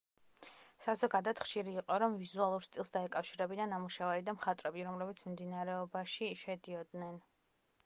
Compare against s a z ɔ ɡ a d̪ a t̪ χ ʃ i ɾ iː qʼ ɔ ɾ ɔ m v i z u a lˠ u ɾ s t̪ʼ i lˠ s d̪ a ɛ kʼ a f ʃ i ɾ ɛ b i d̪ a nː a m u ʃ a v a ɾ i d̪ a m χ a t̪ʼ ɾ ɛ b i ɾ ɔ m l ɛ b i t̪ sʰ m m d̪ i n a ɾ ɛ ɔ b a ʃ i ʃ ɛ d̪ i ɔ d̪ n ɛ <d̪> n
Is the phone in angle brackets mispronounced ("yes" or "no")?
yes